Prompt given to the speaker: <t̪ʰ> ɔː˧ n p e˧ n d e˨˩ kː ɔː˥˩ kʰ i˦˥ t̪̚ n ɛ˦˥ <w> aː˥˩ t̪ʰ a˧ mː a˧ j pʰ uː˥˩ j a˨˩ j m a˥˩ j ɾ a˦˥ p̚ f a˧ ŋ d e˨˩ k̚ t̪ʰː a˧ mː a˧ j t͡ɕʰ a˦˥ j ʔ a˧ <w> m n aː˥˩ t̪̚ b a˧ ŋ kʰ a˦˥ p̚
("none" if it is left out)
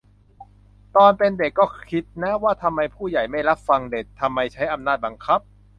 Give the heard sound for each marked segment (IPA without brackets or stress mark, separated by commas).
t̪, w, none